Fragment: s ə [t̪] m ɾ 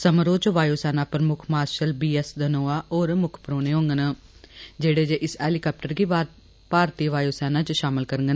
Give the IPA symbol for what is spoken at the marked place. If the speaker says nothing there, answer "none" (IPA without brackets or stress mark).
none